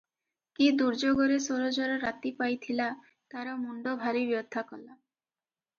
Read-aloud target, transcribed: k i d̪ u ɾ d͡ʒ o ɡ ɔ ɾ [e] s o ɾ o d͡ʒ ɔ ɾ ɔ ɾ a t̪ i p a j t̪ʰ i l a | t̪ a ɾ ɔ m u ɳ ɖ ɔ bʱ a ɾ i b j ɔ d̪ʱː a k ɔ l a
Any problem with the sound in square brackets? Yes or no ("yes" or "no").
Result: no